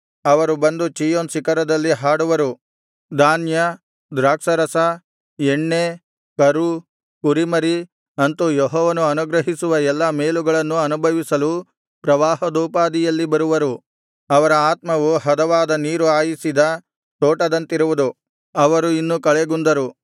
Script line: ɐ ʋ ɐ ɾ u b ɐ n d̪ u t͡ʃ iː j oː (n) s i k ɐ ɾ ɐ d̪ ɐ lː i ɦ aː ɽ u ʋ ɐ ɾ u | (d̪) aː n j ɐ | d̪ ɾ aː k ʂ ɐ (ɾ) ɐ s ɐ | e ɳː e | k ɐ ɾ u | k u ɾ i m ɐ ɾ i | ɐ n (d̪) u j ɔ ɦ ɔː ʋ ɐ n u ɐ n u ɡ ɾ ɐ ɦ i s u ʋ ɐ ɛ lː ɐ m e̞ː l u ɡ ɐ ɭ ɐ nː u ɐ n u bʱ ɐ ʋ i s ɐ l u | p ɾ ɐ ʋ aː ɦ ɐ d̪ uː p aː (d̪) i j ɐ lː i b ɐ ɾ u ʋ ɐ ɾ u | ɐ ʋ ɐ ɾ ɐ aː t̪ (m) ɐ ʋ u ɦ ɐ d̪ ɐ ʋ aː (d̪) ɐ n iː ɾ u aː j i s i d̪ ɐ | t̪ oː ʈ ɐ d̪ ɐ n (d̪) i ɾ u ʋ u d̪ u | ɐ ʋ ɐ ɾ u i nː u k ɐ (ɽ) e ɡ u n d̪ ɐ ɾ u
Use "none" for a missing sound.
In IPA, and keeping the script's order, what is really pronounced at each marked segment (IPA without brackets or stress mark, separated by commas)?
n, d̪, ɾ, t̪, d̪, m, d̪, t̪, ɭ